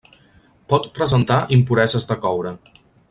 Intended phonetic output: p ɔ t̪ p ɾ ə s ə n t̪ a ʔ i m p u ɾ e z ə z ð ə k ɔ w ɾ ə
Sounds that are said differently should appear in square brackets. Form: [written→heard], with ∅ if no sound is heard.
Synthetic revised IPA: p ɔ t̪ p ɾ ə [s→z] ə n t̪ a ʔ i m p u ɾ [e→ɛ] z ə z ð ə k ɔ w ɾ ə